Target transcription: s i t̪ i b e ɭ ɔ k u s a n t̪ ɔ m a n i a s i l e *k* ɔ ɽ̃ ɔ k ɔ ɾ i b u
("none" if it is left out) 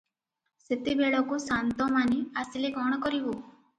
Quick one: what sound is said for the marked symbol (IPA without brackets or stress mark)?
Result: ɡ